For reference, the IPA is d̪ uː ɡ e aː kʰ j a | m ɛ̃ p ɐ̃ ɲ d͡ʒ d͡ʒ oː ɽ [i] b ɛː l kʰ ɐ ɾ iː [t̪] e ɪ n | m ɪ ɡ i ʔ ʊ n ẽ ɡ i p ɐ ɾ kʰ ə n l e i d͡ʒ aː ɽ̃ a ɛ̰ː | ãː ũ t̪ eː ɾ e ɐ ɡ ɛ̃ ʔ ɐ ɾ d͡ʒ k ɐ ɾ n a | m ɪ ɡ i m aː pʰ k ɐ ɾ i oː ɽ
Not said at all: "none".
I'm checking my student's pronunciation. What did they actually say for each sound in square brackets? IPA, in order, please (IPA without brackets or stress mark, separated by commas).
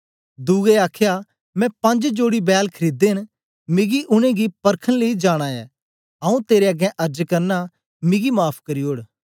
i, d̪